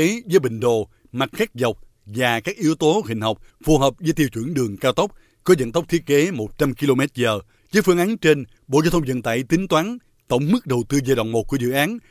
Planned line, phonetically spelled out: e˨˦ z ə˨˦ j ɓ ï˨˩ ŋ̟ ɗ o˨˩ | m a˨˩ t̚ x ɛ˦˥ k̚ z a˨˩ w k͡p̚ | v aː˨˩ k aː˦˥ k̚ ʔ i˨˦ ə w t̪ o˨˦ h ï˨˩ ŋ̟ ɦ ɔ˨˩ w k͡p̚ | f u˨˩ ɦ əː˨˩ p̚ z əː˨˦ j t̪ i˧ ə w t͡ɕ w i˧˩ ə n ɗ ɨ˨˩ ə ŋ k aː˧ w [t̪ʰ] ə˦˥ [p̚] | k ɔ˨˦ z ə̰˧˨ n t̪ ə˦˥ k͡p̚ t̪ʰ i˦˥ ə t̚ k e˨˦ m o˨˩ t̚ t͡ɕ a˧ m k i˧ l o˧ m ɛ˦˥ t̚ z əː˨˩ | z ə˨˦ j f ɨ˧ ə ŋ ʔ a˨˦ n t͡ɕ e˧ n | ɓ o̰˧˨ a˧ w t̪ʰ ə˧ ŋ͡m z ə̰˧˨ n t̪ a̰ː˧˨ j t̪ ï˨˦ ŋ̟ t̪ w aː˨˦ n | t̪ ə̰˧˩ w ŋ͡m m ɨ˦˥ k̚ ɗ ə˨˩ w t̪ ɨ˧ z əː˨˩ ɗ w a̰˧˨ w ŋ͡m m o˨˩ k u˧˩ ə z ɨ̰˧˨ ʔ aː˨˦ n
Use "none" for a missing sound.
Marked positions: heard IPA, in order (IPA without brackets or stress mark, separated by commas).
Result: t̪, k͡p̚